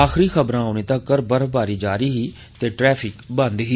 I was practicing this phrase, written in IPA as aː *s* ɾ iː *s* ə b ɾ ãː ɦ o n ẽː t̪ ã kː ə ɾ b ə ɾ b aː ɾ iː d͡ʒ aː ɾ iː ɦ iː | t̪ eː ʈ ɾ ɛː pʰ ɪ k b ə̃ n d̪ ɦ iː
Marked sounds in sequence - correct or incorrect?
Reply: incorrect, incorrect

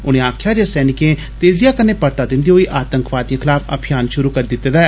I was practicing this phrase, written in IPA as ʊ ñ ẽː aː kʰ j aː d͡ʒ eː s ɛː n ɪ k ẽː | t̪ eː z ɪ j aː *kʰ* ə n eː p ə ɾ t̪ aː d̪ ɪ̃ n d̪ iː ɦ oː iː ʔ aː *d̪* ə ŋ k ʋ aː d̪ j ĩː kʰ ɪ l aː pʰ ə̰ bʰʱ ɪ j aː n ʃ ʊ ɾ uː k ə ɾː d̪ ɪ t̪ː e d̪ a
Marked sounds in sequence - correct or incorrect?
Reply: incorrect, incorrect

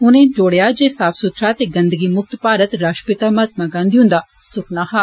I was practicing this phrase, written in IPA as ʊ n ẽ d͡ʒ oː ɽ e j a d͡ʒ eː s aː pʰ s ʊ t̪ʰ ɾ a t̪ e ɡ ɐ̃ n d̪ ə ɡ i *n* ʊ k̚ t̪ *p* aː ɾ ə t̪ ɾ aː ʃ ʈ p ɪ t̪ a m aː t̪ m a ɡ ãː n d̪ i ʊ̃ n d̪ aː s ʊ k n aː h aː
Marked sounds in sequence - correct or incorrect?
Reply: incorrect, correct

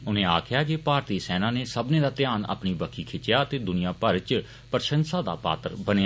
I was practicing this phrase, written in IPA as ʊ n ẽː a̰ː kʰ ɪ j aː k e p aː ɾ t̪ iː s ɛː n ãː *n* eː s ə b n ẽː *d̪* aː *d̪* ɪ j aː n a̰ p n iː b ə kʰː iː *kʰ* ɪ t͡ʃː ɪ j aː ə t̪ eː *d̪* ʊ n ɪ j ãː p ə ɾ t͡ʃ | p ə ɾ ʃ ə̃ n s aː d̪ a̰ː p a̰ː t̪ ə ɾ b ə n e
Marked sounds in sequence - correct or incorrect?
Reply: correct, correct, incorrect, correct, correct

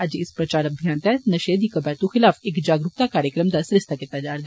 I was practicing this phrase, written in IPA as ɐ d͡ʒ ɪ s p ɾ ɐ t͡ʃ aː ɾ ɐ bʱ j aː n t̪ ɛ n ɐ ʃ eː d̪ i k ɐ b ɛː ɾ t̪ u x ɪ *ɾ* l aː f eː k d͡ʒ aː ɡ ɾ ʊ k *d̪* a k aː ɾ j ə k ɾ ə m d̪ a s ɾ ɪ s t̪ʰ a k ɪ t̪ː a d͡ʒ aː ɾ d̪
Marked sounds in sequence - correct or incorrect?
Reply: incorrect, incorrect

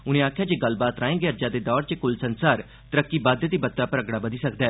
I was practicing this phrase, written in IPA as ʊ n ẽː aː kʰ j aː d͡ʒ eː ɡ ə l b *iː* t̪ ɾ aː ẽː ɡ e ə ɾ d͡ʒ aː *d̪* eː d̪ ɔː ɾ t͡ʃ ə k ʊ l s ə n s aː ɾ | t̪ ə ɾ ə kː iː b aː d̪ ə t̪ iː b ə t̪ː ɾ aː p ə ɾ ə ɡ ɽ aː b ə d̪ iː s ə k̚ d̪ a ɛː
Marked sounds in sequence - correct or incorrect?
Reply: incorrect, correct

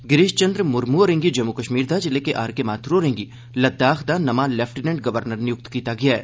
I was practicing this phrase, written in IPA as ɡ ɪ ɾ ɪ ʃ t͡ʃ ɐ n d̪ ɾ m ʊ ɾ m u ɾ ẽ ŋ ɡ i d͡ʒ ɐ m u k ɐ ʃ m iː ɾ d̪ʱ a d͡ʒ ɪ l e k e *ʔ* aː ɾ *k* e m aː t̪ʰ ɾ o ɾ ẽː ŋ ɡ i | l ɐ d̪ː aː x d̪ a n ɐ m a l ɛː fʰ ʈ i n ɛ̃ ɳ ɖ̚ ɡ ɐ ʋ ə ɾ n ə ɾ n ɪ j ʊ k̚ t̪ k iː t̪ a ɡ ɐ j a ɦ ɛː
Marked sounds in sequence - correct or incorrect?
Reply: correct, correct

